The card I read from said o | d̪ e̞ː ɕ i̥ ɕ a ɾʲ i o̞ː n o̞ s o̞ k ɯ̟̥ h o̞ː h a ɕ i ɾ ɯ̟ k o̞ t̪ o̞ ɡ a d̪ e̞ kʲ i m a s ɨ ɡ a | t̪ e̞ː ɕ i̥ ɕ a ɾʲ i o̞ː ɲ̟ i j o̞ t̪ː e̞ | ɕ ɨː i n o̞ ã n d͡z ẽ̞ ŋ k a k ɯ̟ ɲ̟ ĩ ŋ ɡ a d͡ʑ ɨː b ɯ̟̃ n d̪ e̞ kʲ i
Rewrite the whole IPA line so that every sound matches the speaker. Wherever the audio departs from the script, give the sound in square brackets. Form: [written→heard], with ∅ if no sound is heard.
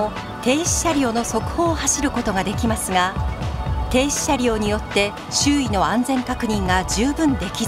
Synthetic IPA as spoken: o | [d̪→t̪] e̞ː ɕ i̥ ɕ a ɾʲ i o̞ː n o̞ s o̞ k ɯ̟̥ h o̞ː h a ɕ i ɾ ɯ̟ k o̞ t̪ o̞ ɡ a d̪ e̞ kʲ i m a s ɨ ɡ a | t̪ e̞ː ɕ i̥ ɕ a ɾʲ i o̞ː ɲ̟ i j o̞ t̪ː e̞ | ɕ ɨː i n o̞ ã n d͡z ẽ̞ ŋ k a k ɯ̟ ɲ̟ ĩ ŋ ɡ a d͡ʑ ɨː b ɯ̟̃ n d̪ e̞ kʲ i